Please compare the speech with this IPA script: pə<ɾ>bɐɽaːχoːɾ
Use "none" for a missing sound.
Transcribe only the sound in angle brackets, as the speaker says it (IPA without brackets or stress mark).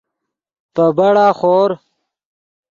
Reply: none